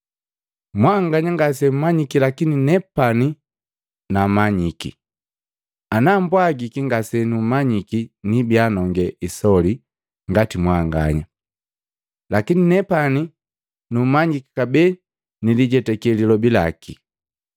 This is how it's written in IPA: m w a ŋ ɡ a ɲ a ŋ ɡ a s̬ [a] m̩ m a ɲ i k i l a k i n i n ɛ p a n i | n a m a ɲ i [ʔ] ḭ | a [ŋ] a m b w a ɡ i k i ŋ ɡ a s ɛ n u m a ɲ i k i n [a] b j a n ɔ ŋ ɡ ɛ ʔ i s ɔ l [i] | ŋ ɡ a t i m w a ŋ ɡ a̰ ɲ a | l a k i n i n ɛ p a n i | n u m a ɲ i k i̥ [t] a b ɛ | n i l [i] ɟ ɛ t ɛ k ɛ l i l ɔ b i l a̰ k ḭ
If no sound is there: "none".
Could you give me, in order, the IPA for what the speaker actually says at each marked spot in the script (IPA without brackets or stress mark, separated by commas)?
ɛ, k, n, i, i, k, i